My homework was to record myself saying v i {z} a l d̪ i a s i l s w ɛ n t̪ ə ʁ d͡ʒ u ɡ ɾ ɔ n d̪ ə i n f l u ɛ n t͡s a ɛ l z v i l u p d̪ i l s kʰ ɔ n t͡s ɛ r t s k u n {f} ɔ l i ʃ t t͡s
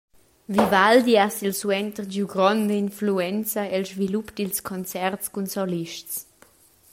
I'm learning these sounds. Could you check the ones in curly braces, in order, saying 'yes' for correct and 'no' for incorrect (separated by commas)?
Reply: no, no